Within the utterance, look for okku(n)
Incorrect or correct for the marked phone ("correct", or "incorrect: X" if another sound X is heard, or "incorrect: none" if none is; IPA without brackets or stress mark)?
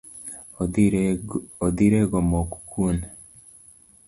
correct